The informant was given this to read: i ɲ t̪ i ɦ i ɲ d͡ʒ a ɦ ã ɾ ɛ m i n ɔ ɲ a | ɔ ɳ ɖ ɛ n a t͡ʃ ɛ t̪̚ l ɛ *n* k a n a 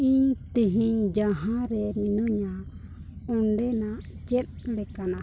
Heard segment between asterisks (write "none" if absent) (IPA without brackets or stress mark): none